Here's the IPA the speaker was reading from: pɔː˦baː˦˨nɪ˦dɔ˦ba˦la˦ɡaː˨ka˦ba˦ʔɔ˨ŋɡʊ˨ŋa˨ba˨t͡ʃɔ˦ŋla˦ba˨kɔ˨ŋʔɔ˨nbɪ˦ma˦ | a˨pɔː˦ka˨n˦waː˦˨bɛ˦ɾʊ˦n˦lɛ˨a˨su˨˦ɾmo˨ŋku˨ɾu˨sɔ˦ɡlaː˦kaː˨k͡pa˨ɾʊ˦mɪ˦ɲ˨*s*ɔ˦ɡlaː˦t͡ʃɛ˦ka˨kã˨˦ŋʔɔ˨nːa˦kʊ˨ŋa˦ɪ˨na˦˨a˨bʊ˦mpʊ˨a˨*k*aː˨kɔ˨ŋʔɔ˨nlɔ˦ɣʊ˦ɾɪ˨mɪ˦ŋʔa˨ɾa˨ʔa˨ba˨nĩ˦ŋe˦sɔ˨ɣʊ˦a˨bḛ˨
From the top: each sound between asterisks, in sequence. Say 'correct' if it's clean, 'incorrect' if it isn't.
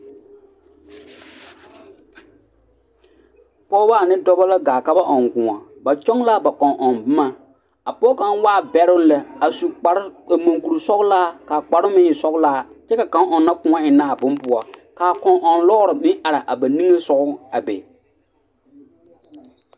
correct, correct

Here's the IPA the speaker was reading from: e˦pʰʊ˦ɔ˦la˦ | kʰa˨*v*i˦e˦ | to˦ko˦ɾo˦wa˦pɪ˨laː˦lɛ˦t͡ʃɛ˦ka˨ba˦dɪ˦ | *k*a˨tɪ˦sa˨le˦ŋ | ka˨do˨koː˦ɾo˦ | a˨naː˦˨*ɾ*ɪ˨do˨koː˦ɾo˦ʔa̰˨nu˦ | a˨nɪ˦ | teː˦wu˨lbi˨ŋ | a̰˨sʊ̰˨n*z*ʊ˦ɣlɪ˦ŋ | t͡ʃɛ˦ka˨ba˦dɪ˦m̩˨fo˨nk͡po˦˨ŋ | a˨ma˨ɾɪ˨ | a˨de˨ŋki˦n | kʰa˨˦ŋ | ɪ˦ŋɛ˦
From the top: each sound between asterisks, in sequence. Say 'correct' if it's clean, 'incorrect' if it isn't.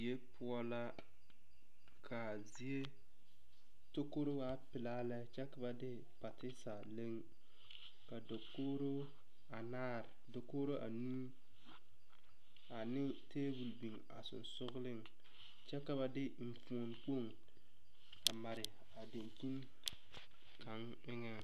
incorrect: z, incorrect: p, correct, incorrect: s

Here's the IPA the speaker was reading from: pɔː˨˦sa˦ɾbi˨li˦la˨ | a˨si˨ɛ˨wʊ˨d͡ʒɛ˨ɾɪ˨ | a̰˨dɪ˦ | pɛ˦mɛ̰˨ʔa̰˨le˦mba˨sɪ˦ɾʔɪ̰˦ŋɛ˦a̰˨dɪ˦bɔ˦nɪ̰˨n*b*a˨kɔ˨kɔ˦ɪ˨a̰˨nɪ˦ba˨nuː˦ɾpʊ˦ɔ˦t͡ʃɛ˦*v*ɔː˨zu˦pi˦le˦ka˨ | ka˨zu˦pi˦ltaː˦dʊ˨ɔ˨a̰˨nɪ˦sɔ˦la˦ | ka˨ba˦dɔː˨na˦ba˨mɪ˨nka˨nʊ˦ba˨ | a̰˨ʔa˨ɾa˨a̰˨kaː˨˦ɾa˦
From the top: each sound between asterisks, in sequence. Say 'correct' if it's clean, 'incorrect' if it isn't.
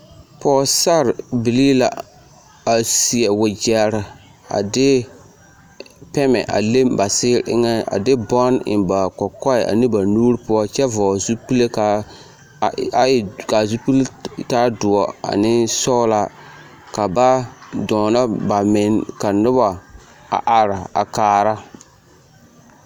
correct, correct

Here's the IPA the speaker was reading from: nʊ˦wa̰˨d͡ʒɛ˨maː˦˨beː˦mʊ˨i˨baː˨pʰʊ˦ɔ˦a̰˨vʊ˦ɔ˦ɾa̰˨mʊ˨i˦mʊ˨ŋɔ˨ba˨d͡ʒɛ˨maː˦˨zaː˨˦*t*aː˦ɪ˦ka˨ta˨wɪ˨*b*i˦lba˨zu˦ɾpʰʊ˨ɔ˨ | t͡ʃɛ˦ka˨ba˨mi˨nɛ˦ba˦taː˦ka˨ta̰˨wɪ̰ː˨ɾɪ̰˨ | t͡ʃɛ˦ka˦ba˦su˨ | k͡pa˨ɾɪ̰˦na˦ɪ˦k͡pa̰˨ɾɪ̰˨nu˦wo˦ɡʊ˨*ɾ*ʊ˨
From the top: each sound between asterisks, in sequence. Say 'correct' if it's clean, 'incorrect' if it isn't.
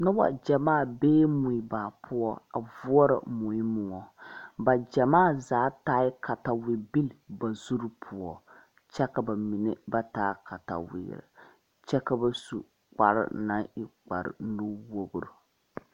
correct, correct, correct

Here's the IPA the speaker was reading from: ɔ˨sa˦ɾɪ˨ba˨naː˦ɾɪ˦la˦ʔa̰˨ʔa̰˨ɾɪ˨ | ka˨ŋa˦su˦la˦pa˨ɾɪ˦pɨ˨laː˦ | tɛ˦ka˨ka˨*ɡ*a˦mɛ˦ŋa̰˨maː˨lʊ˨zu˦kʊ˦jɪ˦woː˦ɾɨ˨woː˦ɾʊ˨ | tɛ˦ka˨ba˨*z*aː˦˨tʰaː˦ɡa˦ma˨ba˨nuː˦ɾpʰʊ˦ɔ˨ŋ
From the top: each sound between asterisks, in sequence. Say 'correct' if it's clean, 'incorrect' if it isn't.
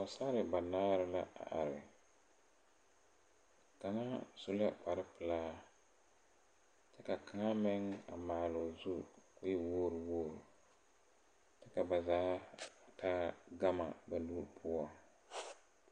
incorrect: ŋ, correct

